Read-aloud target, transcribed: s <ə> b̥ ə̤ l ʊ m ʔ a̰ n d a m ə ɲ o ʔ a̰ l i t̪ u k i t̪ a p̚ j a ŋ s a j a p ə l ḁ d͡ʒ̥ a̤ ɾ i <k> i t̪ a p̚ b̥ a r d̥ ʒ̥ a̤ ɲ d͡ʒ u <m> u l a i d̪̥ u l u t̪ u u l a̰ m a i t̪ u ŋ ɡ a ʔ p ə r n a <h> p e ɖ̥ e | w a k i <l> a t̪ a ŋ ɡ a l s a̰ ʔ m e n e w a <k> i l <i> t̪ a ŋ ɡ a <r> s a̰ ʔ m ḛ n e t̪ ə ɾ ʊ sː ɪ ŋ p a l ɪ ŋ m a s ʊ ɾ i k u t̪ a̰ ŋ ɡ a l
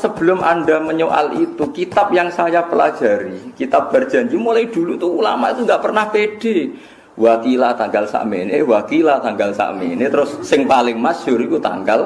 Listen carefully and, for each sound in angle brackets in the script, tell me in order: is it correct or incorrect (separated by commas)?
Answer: correct, correct, correct, correct, correct, correct, incorrect, incorrect